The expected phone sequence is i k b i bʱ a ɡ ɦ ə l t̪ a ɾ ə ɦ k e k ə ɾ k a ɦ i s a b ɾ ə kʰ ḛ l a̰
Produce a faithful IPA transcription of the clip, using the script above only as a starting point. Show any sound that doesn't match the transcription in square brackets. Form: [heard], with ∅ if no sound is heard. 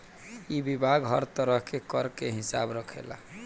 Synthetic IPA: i [∅] b i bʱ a ɡ ɦ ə [ɾ] t̪ [ə] ɾ ə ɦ k e k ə ɾ k [e] ɦ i s a b ɾ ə kʰ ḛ l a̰